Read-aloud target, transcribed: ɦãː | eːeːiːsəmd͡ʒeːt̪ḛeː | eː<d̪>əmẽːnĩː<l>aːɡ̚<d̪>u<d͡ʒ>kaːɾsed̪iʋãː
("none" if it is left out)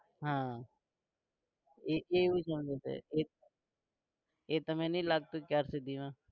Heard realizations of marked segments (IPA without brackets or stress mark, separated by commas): t̪, l, t̪, none